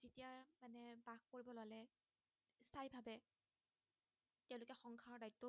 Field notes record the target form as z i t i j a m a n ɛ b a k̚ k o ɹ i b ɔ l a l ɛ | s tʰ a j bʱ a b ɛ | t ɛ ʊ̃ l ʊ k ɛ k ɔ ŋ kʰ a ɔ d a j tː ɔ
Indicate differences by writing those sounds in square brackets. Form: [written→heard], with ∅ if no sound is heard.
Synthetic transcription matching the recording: z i t i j a m a n ɛ b a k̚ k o ɹ i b ɔ l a l ɛ | s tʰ a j bʱ a b ɛ | t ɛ ʊ̃ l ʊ k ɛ [k→x] ɔ ŋ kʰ a ɔ d a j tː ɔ